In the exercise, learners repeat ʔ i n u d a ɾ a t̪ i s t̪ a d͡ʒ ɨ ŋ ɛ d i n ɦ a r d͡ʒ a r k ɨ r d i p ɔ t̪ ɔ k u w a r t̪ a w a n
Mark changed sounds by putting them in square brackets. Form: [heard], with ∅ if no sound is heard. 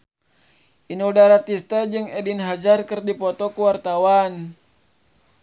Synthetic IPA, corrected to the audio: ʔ i n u d a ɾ a t̪ i s t̪ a d͡ʒ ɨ ŋ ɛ d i n ɦ a [∅] d͡ʒ a r k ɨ r d i p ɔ t̪ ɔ k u w a r t̪ a w a n

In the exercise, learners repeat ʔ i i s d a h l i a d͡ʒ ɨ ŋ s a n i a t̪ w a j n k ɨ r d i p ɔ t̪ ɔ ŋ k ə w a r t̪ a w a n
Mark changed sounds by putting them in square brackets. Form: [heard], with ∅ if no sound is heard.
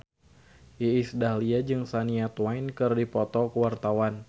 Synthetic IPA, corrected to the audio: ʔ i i s d a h l i a d͡ʒ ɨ ŋ s a n i a t̪ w a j n k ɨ r d i p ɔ t̪ ɔ [∅] k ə w a r t̪ a w a n

